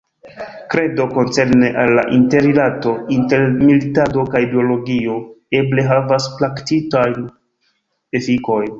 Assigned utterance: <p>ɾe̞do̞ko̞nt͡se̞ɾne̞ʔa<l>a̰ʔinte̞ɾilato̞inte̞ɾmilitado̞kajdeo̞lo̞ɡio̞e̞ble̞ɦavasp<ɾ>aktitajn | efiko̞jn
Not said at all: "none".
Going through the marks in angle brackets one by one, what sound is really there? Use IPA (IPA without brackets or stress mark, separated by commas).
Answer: k, lː, l